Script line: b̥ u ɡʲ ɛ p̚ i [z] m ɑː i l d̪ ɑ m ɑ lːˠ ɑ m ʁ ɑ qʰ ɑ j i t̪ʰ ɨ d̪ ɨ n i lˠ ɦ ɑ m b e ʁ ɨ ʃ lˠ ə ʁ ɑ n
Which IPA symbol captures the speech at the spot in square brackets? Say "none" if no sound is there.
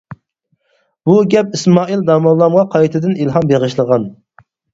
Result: s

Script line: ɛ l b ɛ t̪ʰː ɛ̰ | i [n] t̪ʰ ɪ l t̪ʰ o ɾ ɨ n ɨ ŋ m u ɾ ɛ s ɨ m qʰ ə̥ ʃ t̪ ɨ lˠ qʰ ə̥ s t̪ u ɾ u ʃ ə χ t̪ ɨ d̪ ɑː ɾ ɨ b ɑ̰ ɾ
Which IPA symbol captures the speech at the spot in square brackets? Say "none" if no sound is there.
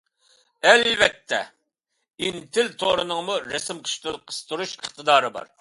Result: n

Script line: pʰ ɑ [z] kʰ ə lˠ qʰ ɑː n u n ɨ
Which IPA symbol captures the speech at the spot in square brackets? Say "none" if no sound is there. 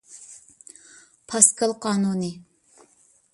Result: s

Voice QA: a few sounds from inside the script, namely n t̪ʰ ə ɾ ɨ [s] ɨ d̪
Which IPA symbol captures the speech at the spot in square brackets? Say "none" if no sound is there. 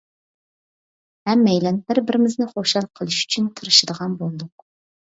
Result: ʃ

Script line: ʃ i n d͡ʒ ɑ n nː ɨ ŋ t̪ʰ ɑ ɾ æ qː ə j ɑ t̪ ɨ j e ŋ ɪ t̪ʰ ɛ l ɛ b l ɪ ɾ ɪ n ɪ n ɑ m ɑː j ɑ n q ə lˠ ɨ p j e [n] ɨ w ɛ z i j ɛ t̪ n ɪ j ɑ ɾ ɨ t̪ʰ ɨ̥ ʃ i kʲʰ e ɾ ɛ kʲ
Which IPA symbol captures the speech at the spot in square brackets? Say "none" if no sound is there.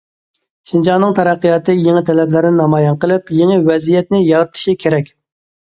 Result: ŋ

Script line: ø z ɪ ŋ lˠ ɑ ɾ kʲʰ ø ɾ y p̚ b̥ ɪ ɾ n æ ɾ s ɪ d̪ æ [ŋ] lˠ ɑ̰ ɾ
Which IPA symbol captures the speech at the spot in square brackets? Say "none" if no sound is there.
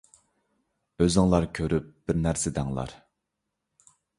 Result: ŋ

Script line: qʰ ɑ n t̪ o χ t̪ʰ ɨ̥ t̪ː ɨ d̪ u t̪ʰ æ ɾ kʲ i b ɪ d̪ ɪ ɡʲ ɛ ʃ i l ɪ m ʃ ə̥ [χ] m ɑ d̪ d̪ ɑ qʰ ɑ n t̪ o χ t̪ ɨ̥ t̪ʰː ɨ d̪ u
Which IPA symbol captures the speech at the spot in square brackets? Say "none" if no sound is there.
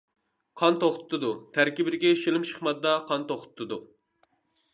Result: χ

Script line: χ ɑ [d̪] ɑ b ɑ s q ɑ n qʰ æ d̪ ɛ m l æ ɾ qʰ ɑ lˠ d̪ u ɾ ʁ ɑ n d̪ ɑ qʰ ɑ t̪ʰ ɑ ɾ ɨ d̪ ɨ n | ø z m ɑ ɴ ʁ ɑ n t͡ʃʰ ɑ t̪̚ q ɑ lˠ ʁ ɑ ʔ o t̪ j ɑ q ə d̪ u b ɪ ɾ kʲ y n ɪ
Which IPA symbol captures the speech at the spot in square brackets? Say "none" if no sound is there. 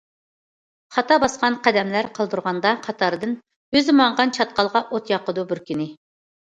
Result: t̪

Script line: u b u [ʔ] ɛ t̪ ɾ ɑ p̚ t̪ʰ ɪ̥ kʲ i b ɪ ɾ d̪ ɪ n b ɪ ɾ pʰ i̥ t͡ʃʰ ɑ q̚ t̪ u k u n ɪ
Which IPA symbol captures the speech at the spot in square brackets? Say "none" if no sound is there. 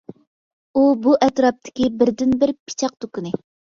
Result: ʔ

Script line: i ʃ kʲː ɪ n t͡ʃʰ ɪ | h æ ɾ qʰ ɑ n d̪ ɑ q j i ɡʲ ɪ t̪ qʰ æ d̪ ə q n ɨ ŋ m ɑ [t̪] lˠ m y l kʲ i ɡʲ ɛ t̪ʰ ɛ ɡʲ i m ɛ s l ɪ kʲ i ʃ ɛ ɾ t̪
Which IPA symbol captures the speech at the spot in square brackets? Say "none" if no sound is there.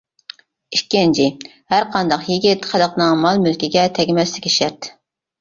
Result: none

